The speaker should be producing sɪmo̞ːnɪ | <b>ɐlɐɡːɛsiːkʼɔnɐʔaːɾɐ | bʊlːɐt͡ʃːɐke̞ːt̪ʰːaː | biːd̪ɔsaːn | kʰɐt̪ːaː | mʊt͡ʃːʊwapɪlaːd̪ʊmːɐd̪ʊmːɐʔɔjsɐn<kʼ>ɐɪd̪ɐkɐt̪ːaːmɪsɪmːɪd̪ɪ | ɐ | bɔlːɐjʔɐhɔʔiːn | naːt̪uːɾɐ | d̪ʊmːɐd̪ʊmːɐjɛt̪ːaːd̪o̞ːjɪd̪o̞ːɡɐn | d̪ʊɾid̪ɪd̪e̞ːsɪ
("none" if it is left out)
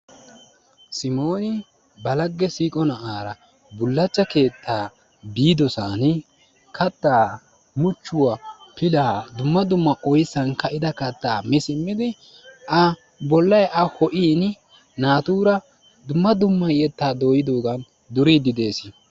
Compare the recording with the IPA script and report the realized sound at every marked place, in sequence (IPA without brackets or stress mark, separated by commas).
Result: b, k